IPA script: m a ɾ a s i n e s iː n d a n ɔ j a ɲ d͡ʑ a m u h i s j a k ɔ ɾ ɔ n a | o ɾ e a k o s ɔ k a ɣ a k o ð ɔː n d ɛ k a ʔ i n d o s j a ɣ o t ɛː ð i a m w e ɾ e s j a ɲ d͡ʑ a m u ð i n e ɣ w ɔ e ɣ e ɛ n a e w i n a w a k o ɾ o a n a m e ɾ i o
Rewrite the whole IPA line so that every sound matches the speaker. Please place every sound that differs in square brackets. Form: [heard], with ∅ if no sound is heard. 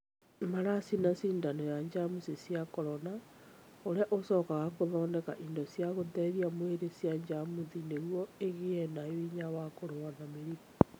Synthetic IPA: m a ɾ a s i n [a] s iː n d a n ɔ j a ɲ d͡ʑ a m u [s] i s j a k ɔ ɾ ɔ n a | o ɾ e a [ʔ] o s ɔ k a ɣ a k o ð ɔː n d ɛ k a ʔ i n d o s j a ɣ o t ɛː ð i a m w e ɾ e s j a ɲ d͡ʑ a m u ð i n e ɣ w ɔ e ɣ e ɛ n a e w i [ɲ] a w a k o ɾ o a n a m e ɾ i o